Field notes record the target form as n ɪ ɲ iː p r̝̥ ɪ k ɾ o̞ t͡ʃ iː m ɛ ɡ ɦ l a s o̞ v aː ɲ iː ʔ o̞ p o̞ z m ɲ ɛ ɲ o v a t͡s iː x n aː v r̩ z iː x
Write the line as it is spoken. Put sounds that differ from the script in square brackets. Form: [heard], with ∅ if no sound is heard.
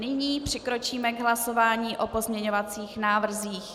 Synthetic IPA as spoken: n ɪ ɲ iː p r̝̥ ɪ k ɾ o̞ t͡ʃ iː m ɛ ɡ ɦ l a s o̞ v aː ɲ iː ʔ o̞ p o̞ z m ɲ ɛ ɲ o v a t͡s iː x n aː v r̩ z iː x